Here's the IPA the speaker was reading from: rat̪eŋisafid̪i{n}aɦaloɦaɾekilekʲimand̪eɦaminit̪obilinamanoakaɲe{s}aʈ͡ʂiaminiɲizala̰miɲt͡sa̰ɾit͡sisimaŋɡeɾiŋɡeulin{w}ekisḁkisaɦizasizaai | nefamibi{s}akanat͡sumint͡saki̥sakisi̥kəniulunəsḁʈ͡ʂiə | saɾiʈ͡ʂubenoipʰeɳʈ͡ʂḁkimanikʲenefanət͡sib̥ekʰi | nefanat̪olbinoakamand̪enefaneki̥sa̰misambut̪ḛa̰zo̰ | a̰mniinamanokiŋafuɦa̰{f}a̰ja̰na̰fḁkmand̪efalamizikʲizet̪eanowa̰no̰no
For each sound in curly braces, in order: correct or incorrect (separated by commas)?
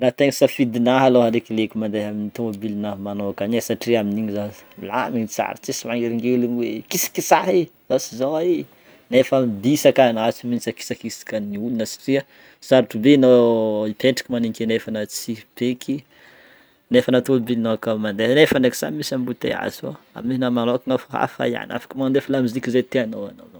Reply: correct, correct, correct, correct, correct